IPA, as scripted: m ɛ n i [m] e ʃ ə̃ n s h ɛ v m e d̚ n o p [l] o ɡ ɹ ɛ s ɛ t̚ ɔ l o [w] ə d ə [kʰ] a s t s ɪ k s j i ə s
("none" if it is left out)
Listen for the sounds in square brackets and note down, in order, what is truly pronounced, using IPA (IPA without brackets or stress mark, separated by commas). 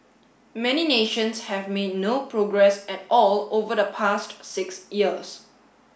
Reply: n, ɹ, v, pʰ